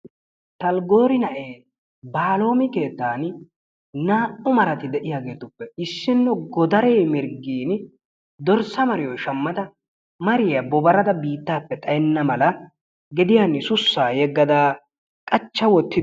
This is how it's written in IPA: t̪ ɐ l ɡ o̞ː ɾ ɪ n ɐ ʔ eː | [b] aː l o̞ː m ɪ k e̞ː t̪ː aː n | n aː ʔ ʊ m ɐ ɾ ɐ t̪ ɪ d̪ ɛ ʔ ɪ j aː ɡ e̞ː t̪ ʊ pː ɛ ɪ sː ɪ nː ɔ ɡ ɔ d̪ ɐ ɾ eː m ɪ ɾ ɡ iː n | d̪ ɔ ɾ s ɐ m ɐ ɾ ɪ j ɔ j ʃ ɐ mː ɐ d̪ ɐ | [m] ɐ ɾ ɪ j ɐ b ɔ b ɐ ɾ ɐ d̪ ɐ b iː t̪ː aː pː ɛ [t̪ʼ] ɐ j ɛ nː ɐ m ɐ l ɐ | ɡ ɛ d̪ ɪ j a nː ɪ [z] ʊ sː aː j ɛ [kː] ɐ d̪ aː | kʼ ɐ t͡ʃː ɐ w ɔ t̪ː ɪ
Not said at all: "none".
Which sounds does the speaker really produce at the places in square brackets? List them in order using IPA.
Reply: b, m, t̪ʼ, s, ɡː

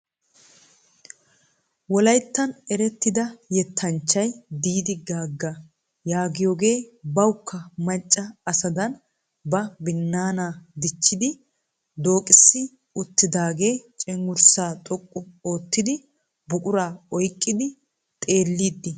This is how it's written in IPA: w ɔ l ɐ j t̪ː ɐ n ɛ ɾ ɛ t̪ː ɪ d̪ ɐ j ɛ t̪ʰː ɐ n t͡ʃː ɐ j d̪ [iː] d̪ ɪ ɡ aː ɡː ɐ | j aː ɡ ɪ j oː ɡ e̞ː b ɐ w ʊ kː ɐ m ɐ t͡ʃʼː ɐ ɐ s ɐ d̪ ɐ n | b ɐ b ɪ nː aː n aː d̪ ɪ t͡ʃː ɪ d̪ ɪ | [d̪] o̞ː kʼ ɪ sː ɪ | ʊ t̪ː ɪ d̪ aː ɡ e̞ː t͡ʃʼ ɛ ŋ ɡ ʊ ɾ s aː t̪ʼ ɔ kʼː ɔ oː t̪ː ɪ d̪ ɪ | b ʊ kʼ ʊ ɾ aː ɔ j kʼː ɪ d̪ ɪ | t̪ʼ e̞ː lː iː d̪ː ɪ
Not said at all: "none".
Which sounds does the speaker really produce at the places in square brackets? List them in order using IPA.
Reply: iː, d̪

